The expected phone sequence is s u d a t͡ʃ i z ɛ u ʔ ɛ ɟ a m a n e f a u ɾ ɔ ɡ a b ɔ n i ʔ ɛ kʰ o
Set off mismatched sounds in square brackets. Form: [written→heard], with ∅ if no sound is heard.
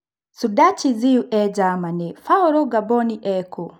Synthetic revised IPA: s u d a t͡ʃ i z [ɛ→i] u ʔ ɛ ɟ a m a n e f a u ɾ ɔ ɡ a b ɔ n i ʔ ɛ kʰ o